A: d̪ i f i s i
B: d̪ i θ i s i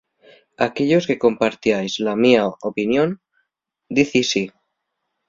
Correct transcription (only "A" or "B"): B